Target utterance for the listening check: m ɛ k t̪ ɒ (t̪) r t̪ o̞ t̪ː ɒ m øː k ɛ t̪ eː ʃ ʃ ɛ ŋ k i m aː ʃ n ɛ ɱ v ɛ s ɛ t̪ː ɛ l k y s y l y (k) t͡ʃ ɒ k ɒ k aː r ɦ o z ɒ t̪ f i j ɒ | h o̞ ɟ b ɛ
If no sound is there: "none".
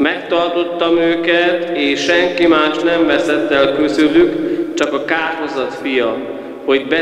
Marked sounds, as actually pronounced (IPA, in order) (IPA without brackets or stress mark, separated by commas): none, k